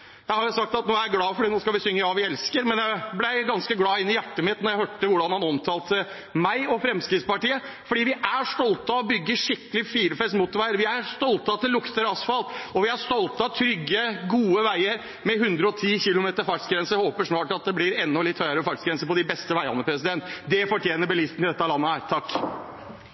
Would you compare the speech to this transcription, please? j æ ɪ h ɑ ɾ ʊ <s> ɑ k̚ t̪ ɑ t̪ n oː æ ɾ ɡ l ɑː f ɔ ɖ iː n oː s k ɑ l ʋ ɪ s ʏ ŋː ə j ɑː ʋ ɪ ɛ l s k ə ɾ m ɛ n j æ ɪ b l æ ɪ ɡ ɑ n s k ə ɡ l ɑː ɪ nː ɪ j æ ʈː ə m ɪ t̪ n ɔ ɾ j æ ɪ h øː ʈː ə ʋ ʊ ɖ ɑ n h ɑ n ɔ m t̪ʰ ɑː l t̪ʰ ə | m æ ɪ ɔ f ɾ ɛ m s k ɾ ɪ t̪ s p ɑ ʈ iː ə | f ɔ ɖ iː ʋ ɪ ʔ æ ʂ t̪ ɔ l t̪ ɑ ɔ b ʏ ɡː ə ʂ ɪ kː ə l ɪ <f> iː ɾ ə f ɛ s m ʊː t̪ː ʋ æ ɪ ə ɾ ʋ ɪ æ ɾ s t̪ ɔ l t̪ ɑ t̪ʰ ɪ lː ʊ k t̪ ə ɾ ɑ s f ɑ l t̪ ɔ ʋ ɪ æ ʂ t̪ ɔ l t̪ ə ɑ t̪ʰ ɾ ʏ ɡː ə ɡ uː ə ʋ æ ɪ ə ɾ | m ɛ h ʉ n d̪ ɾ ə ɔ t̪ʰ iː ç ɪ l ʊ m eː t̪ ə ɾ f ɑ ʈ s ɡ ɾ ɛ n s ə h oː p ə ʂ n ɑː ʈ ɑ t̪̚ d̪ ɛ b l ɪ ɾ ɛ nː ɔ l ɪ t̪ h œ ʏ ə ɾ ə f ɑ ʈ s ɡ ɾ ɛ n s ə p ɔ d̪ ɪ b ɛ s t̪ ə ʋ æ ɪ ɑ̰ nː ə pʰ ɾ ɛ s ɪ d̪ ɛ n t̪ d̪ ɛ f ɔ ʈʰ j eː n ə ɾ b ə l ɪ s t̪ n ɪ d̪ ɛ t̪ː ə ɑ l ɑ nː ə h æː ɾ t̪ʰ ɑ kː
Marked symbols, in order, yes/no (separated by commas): yes, yes